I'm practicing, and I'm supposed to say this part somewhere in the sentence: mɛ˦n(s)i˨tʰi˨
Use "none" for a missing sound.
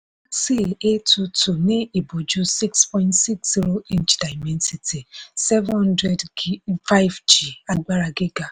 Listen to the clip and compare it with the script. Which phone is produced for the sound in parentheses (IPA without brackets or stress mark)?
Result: s